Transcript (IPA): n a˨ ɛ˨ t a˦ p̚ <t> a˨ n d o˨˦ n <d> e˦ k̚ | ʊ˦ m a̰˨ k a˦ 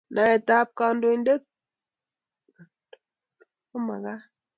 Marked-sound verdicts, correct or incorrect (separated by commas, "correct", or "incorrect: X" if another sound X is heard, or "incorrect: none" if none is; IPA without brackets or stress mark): incorrect: k, correct